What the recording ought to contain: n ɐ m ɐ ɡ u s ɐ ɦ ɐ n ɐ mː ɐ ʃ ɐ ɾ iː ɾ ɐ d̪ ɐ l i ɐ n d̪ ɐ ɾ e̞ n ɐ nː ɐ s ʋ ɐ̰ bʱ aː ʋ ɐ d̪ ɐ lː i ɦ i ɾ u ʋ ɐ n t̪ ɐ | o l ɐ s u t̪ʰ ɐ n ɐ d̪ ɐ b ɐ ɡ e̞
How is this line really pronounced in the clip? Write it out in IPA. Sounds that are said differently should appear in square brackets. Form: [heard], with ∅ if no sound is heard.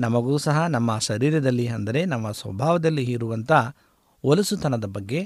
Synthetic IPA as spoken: n ɐ m ɐ ɡ [uː] s ɐ ɦ ɐ n ɐ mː ɐ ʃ ɐ ɾ iː ɾ ɐ d̪ ɐ [lː] i ɐ n d̪ ɐ ɾ e̞ n ɐ [mː] ɐ s ʋ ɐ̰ bʱ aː ʋ ɐ d̪ ɐ lː i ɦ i ɾ u ʋ ɐ n t̪ ɐ | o l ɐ s u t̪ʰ ɐ n ɐ d̪ ɐ b ɐ [ɡː] e̞